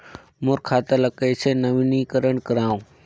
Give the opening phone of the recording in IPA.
m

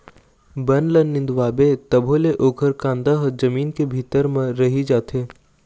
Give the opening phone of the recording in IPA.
b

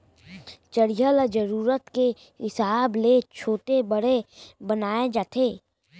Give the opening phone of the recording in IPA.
t͡ʃ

